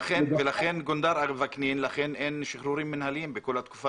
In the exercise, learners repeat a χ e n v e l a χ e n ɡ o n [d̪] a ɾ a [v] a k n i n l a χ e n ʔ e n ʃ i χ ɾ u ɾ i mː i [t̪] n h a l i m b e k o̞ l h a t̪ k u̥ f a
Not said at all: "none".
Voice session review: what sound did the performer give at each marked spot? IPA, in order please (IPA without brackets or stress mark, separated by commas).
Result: d̪, v, none